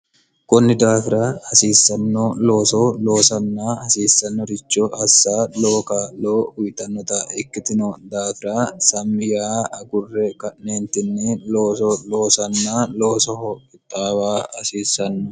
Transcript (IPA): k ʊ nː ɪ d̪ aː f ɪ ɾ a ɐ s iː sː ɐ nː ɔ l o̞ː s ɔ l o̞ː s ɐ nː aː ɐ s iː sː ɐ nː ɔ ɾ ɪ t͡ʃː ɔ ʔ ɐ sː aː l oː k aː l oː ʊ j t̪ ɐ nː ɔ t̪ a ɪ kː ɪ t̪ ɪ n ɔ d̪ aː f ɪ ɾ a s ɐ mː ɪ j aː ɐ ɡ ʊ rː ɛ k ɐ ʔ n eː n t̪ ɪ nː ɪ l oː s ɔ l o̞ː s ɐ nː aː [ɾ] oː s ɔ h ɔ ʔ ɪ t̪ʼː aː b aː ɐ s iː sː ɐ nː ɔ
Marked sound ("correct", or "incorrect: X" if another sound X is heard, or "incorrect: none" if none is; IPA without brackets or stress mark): incorrect: l